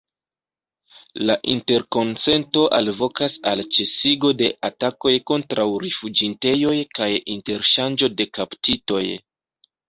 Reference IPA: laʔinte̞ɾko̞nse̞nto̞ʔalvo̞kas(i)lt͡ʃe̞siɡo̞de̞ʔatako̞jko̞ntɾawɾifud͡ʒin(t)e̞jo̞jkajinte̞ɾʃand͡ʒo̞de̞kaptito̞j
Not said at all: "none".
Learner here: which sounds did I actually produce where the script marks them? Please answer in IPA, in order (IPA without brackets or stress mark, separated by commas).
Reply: a, t